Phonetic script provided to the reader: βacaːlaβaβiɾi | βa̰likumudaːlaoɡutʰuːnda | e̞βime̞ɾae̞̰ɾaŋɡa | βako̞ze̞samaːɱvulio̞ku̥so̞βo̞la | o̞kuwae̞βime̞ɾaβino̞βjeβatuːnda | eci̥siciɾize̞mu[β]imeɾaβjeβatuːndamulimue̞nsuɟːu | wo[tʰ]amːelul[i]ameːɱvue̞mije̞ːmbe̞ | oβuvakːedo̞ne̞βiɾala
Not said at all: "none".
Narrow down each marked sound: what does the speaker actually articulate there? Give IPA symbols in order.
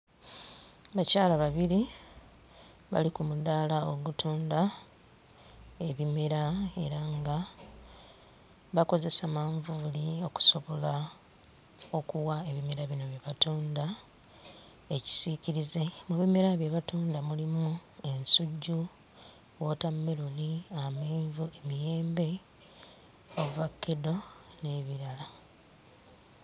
β, t, i

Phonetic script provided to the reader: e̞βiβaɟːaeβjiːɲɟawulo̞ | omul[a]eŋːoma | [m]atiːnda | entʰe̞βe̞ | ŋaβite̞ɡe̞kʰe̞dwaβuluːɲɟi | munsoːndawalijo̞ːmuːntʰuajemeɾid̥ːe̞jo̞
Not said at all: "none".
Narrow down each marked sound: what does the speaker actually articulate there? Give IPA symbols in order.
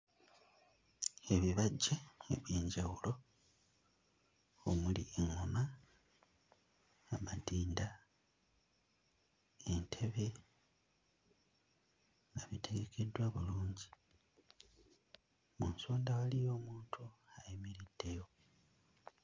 i, m

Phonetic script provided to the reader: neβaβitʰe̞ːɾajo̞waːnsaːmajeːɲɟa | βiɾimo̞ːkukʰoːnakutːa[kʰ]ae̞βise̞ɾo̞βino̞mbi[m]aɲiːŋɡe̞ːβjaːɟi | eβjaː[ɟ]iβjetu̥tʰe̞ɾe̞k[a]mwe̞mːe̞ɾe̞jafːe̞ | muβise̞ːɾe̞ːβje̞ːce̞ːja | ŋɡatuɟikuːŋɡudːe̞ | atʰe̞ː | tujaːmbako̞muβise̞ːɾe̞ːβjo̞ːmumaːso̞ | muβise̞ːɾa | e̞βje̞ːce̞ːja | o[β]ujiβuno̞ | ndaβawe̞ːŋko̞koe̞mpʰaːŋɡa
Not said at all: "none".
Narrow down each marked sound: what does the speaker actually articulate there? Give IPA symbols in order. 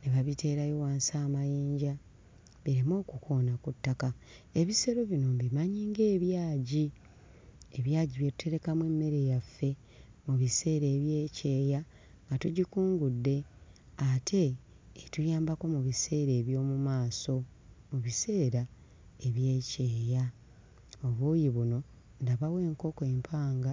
k, m, ɟ, a, β

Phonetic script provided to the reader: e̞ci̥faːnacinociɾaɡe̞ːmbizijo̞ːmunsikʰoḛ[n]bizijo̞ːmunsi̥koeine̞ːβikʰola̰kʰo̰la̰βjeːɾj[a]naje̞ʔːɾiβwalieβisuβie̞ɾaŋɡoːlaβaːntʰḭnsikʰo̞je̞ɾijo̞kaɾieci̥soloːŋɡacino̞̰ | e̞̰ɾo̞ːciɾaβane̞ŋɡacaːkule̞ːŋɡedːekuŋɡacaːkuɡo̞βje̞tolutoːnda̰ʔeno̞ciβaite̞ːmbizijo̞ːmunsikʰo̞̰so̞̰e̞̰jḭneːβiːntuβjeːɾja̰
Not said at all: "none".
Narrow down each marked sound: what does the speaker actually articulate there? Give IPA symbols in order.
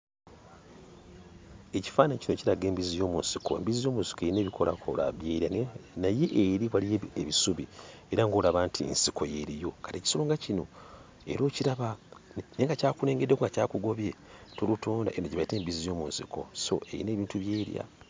m, a

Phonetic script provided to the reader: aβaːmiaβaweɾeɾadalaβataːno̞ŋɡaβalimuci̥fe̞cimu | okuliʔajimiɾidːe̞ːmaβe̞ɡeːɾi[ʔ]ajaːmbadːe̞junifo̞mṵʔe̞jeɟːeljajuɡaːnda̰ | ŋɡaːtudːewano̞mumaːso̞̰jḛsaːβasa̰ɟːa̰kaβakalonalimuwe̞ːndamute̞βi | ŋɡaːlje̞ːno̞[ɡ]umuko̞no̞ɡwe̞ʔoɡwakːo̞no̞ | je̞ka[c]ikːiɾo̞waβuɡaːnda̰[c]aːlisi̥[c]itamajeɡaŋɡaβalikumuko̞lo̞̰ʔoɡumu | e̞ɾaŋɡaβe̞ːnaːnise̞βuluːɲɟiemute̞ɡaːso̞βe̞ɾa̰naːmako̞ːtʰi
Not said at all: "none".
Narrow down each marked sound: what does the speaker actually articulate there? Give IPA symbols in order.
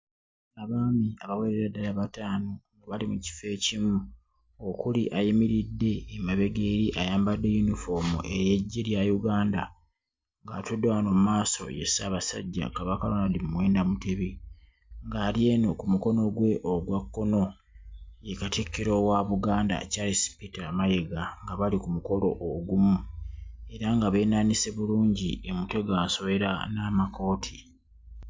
ʔ, k, t, c, p

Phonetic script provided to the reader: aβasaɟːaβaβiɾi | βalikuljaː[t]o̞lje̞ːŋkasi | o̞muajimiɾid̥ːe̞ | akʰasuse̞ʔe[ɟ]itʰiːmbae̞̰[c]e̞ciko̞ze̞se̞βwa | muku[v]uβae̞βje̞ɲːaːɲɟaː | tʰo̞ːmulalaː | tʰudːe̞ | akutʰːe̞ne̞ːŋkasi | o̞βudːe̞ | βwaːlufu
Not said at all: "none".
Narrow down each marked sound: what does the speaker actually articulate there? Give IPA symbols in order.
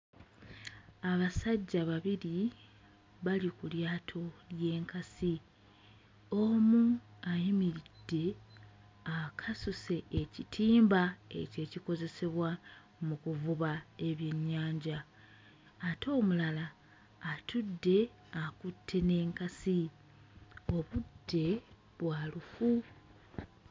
tʰ, c, c, v

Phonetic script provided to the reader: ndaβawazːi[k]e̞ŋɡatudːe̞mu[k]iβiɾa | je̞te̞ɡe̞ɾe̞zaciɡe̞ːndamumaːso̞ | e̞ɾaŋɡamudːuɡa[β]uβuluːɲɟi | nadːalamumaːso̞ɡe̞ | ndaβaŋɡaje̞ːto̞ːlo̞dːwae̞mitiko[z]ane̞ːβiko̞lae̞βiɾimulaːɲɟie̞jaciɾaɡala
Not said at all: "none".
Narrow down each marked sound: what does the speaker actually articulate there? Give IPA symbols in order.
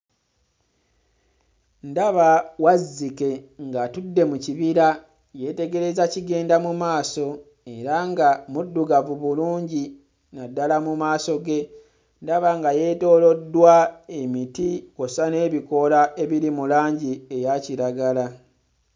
k, c, v, s

